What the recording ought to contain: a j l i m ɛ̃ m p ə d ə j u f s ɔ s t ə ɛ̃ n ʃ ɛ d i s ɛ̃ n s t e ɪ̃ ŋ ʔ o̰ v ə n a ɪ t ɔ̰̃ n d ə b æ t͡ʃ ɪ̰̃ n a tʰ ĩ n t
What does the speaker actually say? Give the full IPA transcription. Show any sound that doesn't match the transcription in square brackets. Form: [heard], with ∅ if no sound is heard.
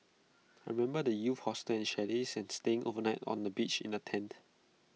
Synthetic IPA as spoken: a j [ɹ] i m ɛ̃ m [b] ə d ə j u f [h] ɔ s t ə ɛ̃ n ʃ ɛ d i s ɛ̃ n s t e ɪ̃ ŋ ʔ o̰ v ə n a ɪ t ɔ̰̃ n d ə b [i] t͡ʃ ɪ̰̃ n [ə] tʰ [ɛ̃] n t

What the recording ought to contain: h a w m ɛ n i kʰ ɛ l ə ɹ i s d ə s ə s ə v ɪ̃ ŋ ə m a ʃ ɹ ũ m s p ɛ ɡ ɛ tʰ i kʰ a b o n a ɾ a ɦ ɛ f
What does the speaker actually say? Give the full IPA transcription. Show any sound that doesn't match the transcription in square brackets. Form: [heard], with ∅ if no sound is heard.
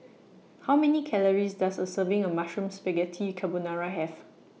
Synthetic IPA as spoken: h a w m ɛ n i kʰ ɛ l ə ɹ i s d [a] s ə s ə v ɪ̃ ŋ ə m a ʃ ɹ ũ m s p ɛ ɡ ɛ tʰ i kʰ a b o n a [ɹ] a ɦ ɛ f

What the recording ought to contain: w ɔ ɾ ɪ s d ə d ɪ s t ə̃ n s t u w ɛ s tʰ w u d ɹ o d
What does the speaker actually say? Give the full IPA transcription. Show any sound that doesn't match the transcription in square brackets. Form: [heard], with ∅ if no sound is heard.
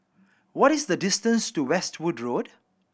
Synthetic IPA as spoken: w ɔ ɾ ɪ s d ə d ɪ s t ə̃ n s t u w ɛ s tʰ w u d ɹ o d

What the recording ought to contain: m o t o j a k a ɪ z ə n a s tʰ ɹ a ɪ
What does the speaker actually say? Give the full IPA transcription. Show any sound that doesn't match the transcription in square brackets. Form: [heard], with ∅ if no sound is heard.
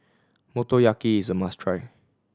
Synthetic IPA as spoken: m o t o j a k [i] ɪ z ə [m] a s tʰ ɹ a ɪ

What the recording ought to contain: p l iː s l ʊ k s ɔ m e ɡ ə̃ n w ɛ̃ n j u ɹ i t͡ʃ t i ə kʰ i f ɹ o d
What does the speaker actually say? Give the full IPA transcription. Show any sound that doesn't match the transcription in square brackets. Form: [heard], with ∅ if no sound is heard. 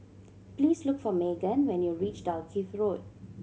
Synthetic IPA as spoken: p l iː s l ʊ k [f] ɔ m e ɡ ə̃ n w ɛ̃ n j u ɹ i t͡ʃ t [a] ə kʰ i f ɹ o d

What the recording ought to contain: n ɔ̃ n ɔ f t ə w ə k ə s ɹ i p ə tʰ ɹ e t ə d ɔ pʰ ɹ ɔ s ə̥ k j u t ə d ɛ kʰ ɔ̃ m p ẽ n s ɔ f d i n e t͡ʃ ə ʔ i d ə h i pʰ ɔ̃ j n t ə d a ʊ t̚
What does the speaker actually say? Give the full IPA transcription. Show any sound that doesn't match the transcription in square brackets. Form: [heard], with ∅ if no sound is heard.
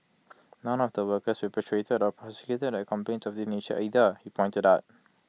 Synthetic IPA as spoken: n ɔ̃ n ɔ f [d] ə w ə k ə s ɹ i p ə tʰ ɹ e t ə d ɔ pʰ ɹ ɔ s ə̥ k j u t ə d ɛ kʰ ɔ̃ m p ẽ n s ɔ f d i n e t͡ʃ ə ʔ i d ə h i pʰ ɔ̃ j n t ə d a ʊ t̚

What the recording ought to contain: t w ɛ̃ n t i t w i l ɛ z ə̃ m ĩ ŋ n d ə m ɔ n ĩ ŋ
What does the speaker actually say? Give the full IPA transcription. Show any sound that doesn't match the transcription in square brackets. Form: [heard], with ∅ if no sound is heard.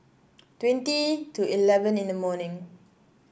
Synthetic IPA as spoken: t w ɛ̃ n t i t [u] i l ɛ [v] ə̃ [n] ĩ [∅] n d ə m ɔ n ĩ ŋ

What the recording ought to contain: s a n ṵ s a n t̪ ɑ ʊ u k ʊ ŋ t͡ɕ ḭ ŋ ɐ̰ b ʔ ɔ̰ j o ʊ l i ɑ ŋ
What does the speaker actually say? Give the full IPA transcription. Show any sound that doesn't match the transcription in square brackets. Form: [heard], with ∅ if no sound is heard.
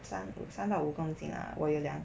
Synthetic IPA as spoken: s a n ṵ s a n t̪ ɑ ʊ u k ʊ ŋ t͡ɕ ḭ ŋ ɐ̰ [w] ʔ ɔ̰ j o ʊ l [j] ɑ ŋ

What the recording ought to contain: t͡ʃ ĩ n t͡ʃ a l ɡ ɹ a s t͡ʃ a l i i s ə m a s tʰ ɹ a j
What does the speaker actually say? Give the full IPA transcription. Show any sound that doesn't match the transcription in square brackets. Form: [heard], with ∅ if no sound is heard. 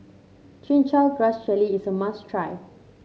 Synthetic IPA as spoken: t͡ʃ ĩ n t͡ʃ a l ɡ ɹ a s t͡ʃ [ɛ] l i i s ə m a s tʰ ɹ a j

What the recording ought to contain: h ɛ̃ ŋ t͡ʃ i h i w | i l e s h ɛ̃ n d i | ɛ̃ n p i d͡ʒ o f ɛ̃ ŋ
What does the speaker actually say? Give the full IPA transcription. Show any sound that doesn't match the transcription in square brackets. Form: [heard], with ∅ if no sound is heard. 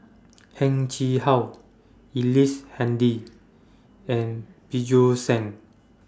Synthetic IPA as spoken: h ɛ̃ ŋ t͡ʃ i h [a] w | i l [i] s h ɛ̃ n d i | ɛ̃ n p i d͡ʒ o [s] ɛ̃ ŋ

